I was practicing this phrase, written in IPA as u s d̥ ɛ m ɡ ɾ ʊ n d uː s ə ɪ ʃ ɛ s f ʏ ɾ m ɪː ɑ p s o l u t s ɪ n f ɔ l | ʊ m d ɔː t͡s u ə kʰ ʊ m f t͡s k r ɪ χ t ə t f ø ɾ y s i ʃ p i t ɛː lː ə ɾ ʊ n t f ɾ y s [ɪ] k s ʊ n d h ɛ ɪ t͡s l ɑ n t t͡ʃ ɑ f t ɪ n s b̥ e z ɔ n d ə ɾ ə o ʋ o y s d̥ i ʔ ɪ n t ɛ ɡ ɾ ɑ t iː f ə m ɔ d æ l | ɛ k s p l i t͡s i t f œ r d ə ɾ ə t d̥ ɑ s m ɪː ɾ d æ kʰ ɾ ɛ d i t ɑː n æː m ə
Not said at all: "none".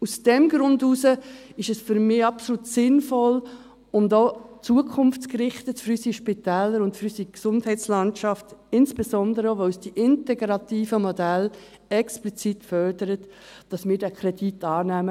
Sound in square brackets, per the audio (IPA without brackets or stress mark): i